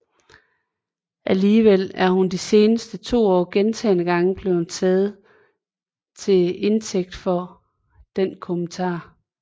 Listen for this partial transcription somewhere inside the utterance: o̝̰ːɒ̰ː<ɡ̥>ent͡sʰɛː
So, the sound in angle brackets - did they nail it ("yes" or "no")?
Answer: yes